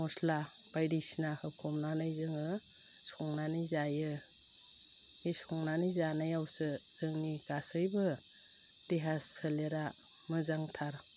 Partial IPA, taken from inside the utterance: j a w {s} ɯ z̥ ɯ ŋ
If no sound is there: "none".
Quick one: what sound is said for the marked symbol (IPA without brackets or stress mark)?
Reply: s